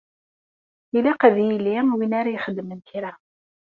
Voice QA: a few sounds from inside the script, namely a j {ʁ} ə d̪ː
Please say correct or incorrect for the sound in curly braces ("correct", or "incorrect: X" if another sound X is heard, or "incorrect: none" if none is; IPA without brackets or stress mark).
incorrect: χ